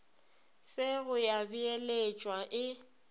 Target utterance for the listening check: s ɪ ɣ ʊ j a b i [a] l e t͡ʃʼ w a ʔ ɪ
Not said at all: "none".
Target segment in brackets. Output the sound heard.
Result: e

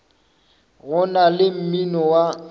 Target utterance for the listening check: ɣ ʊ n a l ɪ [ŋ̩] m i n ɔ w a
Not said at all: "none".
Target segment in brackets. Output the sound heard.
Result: m̩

